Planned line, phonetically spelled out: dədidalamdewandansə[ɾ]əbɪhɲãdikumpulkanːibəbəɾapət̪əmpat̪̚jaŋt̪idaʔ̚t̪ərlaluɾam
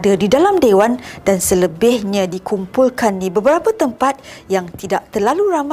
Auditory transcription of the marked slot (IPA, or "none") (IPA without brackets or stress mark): l